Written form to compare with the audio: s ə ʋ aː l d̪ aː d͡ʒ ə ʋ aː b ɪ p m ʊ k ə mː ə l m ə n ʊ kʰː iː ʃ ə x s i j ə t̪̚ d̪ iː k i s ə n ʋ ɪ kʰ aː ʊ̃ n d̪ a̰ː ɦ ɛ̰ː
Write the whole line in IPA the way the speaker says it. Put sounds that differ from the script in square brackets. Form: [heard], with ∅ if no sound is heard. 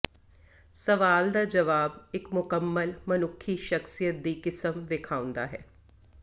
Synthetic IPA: s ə ʋ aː l d̪ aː d͡ʒ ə ʋ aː b ɪ [k] m ʊ k ə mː ə l m ə n ʊ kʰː iː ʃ ə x s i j ə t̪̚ d̪ iː k [ɪ] s ə [m] ʋ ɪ kʰ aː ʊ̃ n d̪ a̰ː ɦ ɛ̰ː

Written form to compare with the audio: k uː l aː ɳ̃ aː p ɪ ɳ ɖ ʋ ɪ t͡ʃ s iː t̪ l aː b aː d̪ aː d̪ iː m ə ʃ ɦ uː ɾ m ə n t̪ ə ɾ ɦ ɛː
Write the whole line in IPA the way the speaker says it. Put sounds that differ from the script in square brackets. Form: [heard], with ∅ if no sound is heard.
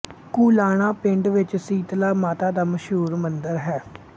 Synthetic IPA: k uː l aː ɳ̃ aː p ɪ ɳ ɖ ʋ ɪ t͡ʃ s iː t̪ l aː [m] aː [t̪] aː d̪ [aː] m ə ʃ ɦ uː ɾ m ə n [d̪] ə ɾ ɦ ɛː

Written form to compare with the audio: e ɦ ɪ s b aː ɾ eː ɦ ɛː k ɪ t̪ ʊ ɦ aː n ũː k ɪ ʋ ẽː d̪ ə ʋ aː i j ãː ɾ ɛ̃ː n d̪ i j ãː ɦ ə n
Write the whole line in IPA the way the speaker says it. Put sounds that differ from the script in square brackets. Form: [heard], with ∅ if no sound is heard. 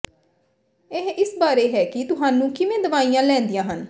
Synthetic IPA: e ɦ ɪ s b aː ɾ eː ɦ ɛː k ɪ t̪ ʊ ɦ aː n ũː k ɪ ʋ ẽː d̪ ə ʋ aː i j ãː [l] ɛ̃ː n d̪ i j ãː ɦ ə n

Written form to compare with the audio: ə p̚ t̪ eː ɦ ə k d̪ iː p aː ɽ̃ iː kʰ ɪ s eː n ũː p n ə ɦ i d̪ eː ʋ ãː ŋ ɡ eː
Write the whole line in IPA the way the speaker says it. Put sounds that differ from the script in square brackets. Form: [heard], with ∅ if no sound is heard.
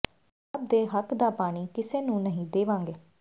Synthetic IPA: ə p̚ [d̪] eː ɦ ə k d̪ [aː] p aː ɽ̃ iː [k] ɪ s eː n ũː [∅] n ə ɦ [ĩ] d̪ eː ʋ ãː ŋ ɡ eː

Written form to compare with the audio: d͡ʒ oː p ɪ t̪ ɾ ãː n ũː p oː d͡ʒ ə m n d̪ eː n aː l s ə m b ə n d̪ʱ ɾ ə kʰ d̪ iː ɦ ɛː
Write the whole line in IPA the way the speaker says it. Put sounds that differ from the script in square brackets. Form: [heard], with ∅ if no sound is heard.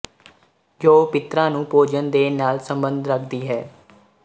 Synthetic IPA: d͡ʒ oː p ɪ t̪ ɾ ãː n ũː p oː d͡ʒ ə [∅] n d̪ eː n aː l s ə m b ə n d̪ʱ ɾ ə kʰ d̪ iː ɦ ɛː

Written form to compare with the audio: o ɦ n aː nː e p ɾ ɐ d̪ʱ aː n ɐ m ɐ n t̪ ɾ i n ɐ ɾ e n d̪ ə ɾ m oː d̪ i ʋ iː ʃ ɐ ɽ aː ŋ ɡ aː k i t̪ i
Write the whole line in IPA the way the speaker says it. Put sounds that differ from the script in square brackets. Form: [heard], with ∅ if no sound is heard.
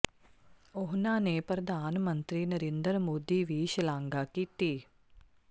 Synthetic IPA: o ɦ n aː [n] e p ɾ ɐ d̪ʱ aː n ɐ m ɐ n t̪ ɾ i n ɐ ɾ e n d̪ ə ɾ m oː d̪ i ʋ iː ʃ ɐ [l] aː ŋ ɡ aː k i t̪ i

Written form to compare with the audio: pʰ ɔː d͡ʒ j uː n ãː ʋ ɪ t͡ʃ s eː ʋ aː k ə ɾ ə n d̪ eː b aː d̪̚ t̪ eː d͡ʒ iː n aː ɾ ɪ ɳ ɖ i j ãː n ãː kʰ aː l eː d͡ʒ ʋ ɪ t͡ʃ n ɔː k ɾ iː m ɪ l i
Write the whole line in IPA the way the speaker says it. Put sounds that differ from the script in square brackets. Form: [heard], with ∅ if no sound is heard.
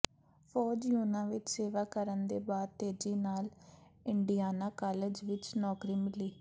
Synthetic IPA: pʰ ɔː d͡ʒ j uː n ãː ʋ ɪ t͡ʃ s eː ʋ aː k ə ɾ ə n d̪ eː b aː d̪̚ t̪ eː d͡ʒ iː n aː [l] ɪ ɳ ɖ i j [aː] n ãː [k] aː l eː d͡ʒ ʋ ɪ t͡ʃ n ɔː k ɾ iː m ɪ l [iː]

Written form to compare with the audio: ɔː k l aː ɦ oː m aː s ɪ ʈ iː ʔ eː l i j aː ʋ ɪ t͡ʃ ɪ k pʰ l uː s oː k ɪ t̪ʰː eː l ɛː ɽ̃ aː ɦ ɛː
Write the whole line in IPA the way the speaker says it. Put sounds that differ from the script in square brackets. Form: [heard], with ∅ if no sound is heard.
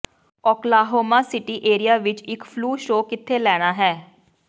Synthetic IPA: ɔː k l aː ɦ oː m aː s ɪ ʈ iː ʔ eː [ɾ] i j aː ʋ ɪ t͡ʃ ɪ k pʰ l uː [ʃ] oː k ɪ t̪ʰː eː l ɛː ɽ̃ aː ɦ ɛː

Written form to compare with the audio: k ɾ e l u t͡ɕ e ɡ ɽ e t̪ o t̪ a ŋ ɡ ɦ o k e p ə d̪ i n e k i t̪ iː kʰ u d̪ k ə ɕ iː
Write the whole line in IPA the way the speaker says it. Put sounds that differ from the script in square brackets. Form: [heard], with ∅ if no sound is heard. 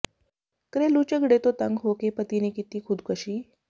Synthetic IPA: k ɾ e l u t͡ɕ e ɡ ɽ e t̪ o t̪ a ŋ ɡ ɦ o k e p ə [t̪] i n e k i t̪ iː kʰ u d̪ k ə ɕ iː

